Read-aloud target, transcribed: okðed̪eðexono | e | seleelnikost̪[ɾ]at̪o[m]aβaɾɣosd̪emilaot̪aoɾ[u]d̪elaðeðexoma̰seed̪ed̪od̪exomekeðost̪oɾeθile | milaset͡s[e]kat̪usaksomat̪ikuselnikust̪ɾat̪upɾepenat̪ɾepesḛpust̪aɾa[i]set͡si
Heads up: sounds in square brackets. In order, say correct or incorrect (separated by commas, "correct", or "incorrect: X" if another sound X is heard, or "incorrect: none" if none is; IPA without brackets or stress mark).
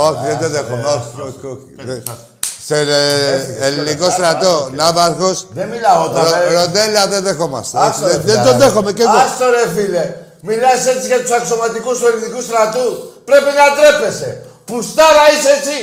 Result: correct, incorrect: n, incorrect: o, incorrect: i, correct